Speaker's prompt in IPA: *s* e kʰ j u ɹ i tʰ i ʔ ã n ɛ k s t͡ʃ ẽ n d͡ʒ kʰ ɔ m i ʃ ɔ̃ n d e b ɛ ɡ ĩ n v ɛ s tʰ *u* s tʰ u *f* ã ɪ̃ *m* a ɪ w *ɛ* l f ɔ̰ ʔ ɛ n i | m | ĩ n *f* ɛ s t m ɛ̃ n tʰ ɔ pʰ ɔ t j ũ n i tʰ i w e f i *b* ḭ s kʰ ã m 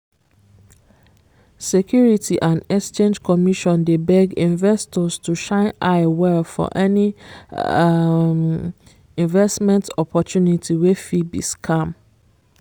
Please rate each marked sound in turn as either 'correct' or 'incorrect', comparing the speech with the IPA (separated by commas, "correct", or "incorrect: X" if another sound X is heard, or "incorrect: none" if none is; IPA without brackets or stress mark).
correct, incorrect: ɔ, incorrect: ʃ, incorrect: n, correct, incorrect: v, correct